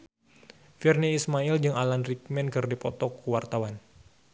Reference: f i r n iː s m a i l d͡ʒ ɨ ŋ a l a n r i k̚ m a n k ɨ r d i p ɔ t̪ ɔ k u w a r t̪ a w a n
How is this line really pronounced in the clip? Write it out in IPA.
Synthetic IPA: f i r n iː s m a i l d͡ʒ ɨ ŋ a l a n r i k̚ m ɛ n k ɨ r d i p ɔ t̪ ɔ k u w a r t̪ a w a n